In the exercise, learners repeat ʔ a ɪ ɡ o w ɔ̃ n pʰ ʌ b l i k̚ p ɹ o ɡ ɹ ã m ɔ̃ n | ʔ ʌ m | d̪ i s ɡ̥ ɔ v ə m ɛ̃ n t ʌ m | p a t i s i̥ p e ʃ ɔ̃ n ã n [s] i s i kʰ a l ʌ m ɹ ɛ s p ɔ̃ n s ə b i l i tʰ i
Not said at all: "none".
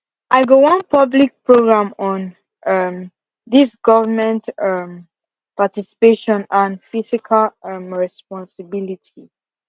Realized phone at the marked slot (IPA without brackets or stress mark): f